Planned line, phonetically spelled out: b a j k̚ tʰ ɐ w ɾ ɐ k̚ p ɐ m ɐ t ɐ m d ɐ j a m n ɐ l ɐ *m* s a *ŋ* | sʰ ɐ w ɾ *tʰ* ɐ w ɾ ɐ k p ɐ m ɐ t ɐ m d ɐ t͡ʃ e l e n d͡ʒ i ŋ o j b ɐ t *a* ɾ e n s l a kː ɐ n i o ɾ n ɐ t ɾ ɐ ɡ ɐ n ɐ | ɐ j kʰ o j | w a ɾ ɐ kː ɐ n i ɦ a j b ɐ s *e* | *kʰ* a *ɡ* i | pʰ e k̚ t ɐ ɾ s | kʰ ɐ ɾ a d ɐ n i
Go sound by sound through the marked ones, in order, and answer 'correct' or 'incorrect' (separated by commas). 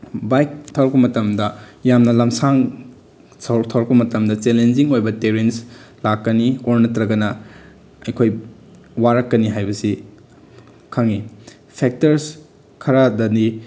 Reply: correct, correct, correct, incorrect, incorrect, correct, incorrect